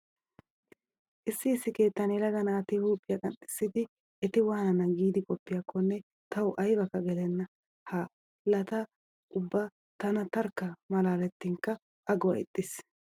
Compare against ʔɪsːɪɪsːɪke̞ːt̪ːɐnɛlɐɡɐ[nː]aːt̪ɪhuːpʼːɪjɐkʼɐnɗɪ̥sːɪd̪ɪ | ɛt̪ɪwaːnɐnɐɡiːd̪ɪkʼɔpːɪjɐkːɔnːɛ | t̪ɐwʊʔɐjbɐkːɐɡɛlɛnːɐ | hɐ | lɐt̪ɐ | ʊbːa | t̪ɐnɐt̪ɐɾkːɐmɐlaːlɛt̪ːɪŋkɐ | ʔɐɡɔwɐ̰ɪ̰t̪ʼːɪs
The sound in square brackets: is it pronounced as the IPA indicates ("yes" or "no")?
no